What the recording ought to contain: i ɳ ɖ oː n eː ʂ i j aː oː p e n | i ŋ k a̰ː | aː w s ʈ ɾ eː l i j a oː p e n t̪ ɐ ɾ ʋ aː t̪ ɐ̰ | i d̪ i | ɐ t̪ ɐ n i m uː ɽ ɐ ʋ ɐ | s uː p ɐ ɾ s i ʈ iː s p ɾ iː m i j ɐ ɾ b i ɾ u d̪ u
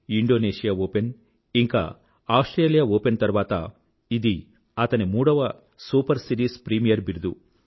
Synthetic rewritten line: i ɳ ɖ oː n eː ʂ i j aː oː p e n | i ŋ k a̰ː | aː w s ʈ ɾ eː l i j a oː p e n t̪ ɐ ɾ ʋ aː t̪ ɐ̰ | i d̪ i | ɐ t̪ ɐ n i m uː ɽ ɐ ʋ ɐ | s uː p ɐ ɾ s i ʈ iː s p ɾ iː m i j ɐ ɾ b i ɾ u d̪ u